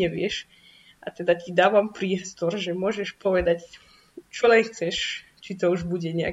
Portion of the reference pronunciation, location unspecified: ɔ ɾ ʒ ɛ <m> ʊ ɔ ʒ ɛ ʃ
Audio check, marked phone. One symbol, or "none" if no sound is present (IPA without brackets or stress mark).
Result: m